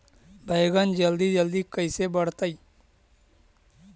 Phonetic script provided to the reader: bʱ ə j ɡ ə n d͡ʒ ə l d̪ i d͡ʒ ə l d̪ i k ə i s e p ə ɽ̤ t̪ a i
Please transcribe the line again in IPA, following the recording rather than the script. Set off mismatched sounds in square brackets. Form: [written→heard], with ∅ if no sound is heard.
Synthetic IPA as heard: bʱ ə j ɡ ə n d͡ʒ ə l d̪ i d͡ʒ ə l d̪ i k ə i s e [p→b] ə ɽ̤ t̪ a i